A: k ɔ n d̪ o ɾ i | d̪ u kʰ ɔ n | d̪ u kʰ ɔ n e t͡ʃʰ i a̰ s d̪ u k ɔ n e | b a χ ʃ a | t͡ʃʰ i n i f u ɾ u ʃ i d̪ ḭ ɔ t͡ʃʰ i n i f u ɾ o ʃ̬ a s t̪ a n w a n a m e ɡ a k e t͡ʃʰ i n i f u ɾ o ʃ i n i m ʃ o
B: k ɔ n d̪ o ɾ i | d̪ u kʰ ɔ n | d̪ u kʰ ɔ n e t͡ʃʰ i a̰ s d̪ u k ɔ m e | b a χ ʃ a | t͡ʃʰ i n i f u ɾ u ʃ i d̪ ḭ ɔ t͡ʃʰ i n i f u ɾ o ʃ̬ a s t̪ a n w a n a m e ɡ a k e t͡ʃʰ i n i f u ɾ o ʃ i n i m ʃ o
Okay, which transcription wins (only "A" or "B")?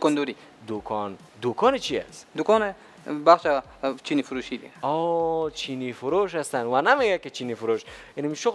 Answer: A